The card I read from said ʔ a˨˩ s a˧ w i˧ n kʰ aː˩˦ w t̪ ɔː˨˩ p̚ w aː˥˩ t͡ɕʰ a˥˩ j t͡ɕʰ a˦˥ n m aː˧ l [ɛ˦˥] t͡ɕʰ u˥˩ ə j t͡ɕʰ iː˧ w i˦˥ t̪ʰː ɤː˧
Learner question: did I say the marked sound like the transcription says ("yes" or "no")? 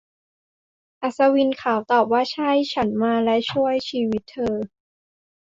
yes